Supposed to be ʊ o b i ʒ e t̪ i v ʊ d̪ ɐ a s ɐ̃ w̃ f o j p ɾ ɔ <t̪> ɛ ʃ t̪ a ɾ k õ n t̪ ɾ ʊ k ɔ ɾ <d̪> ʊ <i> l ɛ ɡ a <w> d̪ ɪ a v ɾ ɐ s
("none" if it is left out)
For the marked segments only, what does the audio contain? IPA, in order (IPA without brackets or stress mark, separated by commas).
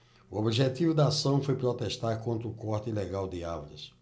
t̪, t̪, i, w